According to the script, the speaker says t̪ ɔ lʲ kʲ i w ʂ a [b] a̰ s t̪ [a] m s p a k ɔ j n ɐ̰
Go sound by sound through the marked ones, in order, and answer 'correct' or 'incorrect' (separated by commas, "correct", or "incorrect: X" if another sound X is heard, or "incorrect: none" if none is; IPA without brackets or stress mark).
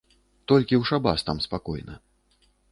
correct, correct